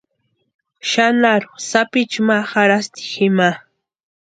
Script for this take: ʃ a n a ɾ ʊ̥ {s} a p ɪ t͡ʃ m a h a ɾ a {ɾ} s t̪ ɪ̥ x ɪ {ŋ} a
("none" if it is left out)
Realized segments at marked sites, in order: s, none, m

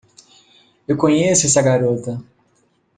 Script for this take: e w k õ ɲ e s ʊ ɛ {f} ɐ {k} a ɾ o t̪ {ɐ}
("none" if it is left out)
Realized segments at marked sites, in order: s, ɡ, ɐ

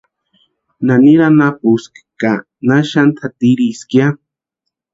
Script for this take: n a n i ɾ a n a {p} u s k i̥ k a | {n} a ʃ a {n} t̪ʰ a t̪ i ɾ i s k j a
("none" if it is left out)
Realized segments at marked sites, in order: p, n, n

